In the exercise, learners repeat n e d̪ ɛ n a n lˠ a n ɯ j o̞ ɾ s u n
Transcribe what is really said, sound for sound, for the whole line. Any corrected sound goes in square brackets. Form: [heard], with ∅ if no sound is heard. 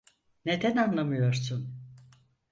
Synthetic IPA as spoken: n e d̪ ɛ n a n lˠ a [m] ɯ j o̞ ɾ s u n